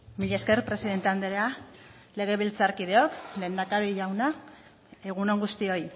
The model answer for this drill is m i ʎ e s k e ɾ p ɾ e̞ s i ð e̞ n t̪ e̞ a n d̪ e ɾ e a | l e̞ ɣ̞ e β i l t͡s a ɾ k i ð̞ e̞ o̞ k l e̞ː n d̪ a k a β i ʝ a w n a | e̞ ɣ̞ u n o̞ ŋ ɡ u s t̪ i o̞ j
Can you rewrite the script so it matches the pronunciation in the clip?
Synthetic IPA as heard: m i ʎ e s k e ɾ p ɾ e̞ s i ð e̞ n t̪ e̞ a n d̪ e ɾ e a | l e̞ ɣ̞ e β i l t͡s a ɾ k i ð̞ e̞ o̞ k l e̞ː n d̪ a k a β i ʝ a w n a | e̞ ɣ̞ u n o̞ ŋ ɡ u s t̪ i o̞ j